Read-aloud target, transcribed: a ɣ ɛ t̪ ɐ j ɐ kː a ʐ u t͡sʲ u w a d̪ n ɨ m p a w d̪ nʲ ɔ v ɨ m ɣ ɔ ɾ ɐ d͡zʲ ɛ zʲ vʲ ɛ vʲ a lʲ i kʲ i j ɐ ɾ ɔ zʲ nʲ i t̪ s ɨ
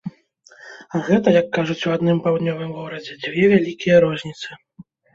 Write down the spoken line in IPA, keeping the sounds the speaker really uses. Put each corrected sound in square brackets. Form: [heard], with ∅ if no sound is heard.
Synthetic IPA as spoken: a ɣ ɛ t̪ ɐ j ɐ kː a ʐ u t͡sʲ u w a d̪ n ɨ m p a w d̪ nʲ ɔ v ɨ m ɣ ɔ ɾ ɐ d͡zʲ ɛ [d͡zʲ] vʲ ɛ vʲ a lʲ i kʲ i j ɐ ɾ ɔ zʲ nʲ i t̪ s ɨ